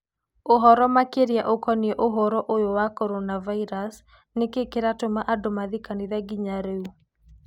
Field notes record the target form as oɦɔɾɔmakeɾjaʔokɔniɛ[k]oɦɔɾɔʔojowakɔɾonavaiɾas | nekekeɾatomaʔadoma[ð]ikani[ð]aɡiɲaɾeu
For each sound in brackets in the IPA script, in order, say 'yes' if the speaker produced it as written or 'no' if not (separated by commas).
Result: no, yes, yes